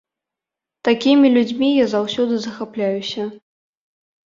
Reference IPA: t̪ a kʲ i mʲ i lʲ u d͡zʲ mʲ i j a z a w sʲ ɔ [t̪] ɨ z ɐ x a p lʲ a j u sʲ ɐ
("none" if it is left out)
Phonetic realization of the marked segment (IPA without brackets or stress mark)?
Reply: d̪